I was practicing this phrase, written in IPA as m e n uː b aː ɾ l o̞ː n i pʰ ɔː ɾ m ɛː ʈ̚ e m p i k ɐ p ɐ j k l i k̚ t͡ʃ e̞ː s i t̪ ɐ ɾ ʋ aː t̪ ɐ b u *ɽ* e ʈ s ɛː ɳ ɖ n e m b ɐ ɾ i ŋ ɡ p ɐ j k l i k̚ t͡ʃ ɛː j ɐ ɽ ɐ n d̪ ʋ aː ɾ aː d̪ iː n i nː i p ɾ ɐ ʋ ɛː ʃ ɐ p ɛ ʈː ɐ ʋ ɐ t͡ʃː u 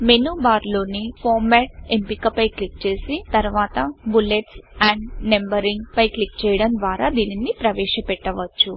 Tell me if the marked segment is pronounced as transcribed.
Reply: no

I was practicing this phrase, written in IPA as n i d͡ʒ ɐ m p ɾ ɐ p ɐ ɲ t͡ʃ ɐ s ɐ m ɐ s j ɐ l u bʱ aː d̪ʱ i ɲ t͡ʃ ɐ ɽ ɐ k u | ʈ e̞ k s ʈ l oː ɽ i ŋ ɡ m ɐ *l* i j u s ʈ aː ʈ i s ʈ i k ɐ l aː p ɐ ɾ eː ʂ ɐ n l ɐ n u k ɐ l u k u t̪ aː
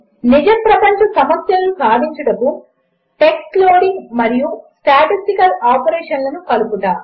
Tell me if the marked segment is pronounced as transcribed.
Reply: no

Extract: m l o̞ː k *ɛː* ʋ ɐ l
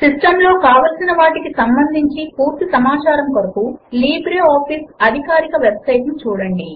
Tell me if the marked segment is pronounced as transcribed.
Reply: no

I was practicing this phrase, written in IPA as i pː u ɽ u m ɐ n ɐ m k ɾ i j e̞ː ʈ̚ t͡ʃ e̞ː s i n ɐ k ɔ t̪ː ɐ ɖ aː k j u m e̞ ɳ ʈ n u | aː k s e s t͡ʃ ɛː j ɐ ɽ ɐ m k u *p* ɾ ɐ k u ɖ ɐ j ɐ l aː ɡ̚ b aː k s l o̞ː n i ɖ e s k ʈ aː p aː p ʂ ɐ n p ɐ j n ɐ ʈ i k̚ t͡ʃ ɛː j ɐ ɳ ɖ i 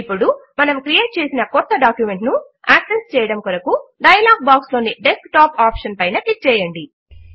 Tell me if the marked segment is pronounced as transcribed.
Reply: no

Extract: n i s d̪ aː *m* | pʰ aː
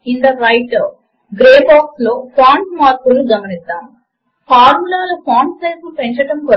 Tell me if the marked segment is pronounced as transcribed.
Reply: yes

